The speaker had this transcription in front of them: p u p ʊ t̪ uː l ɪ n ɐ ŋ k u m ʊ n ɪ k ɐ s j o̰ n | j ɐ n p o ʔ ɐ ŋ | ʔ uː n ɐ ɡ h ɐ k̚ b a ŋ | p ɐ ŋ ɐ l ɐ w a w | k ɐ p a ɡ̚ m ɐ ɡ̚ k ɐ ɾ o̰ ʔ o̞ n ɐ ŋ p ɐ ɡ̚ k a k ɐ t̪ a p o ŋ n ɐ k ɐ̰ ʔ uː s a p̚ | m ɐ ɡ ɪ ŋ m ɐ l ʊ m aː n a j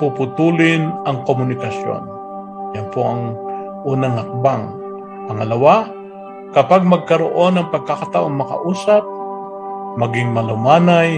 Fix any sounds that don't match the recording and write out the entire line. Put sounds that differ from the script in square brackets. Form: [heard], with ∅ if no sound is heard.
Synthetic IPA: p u p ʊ t̪ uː l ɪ n ɐ ŋ k [o] m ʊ n ɪ k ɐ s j o̰ n | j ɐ n p o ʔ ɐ ŋ | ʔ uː n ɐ [ŋ] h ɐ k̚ b a ŋ | p ɐ ŋ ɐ l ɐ w a [∅] | k ɐ p a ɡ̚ m ɐ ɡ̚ k ɐ ɾ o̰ ʔ o̞ n ɐ ŋ p ɐ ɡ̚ k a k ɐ t̪ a [ʔ] o ŋ [m] ɐ k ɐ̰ ʔ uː s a p̚ | m ɐ ɡ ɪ ŋ m ɐ l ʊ m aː n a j